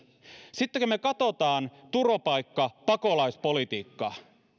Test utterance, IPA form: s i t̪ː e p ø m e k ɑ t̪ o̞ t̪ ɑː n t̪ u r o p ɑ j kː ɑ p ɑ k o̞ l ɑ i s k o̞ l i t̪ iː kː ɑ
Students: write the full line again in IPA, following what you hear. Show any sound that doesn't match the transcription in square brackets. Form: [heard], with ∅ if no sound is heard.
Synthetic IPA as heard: s i t̪ː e [k] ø m e k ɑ t̪ o̞ t̪ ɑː n t̪ u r o p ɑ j kː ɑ p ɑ k o̞ l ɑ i s [p] o̞ l i t̪ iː kː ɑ